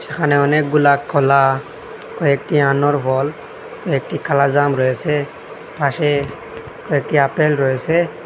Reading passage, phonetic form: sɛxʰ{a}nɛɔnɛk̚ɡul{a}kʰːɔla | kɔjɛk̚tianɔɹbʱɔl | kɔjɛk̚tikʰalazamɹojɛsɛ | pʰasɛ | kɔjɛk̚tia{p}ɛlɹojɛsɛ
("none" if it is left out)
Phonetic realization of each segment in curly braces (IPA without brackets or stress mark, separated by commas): a, a, p